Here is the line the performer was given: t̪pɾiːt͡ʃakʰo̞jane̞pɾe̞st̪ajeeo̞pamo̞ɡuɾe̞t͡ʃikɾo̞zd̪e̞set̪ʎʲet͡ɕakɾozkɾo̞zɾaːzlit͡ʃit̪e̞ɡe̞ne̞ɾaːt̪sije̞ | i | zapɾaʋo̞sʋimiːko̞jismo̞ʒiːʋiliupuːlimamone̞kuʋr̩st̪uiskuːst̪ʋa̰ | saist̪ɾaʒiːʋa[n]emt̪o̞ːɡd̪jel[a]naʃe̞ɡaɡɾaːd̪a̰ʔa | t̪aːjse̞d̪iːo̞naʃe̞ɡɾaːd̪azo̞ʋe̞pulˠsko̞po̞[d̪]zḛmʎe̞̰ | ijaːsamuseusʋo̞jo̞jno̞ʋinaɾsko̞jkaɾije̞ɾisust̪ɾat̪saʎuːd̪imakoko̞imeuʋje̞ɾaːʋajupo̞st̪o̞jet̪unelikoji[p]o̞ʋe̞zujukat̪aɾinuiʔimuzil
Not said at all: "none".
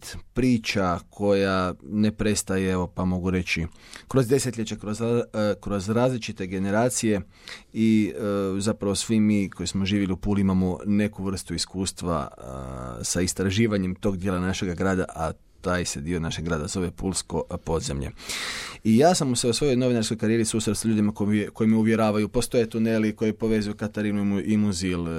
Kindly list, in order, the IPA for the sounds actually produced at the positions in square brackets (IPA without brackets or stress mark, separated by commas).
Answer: ɲ, a, d̪, p